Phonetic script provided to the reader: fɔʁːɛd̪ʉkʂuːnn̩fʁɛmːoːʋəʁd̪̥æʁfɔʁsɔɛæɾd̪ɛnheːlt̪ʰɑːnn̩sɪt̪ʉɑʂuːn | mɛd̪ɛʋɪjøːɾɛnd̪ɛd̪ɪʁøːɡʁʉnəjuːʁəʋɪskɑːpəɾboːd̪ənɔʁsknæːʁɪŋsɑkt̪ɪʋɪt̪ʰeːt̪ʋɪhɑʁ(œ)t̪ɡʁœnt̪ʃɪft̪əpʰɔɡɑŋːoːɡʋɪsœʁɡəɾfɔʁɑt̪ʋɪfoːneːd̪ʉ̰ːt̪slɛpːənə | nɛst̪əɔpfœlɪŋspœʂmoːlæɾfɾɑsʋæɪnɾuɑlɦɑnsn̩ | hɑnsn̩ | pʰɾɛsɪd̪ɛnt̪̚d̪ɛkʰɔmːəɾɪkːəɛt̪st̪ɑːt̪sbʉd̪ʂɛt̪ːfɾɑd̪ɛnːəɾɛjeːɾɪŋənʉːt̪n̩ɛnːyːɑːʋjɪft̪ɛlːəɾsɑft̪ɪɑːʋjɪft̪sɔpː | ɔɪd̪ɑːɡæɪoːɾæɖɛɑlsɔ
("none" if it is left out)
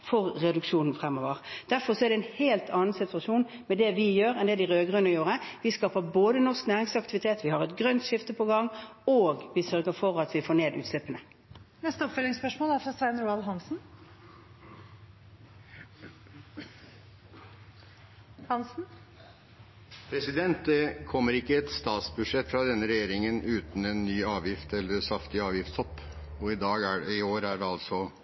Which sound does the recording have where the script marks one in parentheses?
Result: ɛ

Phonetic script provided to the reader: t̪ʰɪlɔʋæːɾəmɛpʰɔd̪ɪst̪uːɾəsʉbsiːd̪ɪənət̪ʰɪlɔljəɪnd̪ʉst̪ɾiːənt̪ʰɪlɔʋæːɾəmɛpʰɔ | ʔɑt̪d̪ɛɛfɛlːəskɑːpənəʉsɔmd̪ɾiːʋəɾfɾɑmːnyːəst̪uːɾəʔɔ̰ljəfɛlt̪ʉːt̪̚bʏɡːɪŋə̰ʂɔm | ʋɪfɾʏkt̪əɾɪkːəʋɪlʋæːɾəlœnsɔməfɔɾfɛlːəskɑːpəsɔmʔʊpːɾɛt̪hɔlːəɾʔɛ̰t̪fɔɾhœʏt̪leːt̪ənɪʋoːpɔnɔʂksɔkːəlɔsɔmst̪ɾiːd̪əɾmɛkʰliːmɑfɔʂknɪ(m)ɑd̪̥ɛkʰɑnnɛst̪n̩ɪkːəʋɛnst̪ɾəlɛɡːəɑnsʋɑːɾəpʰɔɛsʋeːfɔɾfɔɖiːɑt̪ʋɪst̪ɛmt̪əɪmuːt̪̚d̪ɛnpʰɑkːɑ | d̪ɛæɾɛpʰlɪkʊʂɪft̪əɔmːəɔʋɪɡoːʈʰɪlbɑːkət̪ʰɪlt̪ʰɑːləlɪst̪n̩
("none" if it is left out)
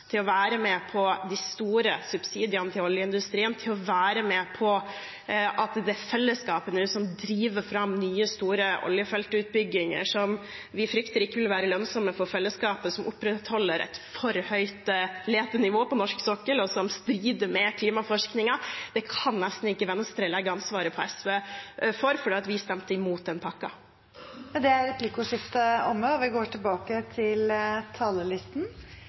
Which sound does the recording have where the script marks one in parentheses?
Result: ŋ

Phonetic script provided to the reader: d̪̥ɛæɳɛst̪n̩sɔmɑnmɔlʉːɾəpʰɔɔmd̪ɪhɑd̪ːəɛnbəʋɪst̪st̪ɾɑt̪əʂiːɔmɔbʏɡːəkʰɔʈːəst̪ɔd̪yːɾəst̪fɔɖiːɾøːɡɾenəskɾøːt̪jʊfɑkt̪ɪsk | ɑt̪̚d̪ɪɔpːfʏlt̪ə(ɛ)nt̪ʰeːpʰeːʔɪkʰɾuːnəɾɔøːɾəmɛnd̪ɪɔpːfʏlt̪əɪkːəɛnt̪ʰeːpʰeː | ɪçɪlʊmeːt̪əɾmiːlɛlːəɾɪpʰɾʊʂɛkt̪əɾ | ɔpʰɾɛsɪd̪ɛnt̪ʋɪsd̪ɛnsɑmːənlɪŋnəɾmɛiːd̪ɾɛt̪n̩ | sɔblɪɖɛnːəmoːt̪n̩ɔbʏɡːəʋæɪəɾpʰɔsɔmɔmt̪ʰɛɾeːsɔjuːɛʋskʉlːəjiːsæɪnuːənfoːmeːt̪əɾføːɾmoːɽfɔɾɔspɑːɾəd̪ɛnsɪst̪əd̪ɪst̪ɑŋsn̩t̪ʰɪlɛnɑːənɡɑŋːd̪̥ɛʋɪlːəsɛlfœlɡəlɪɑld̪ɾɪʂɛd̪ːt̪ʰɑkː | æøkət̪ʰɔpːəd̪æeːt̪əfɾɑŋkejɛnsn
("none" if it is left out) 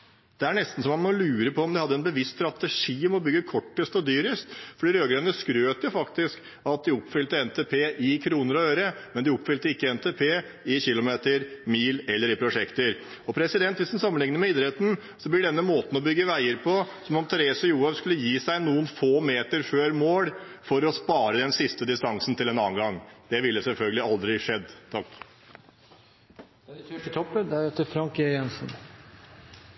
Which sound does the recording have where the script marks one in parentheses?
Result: ɛ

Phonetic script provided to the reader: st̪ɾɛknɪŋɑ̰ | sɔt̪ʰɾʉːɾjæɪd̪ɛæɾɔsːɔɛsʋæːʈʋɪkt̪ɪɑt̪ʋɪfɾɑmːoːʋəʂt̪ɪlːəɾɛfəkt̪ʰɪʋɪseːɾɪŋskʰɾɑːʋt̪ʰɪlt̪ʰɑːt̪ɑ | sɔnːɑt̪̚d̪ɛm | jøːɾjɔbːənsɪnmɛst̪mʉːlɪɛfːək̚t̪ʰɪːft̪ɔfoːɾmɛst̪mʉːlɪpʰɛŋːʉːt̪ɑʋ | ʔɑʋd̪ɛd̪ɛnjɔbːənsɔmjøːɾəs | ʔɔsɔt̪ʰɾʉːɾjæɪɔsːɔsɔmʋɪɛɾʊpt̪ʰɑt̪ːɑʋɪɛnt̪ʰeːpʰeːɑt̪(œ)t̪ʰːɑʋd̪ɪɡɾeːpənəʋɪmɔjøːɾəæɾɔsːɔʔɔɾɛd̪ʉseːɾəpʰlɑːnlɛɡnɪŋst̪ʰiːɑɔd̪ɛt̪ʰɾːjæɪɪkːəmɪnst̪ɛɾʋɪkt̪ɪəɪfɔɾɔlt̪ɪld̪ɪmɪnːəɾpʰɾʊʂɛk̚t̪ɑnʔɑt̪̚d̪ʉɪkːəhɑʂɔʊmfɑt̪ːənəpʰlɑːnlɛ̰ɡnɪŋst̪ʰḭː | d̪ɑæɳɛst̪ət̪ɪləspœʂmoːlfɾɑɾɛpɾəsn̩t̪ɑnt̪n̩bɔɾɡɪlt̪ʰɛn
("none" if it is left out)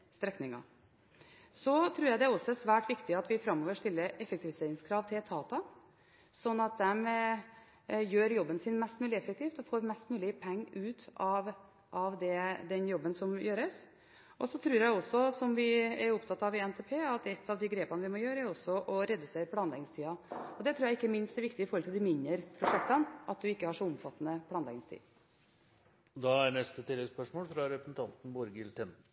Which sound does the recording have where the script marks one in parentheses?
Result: ɛ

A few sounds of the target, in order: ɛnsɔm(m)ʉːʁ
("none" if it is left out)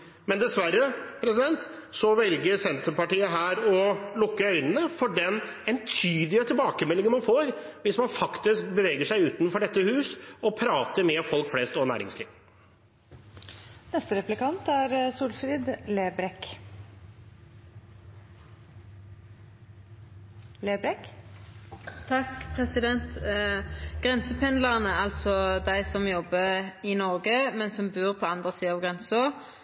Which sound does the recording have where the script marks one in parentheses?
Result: b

